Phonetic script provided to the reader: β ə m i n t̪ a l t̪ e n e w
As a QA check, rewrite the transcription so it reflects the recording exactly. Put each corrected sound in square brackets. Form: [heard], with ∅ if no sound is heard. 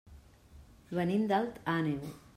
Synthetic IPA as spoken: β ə [n] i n [d̪] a l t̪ [a] n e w